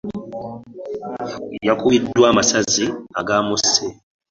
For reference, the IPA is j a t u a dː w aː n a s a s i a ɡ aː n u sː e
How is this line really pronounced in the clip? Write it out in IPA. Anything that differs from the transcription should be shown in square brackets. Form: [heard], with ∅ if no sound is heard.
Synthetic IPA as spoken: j a [k] u [i] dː w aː [m] a s a [z] i a ɡ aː [m] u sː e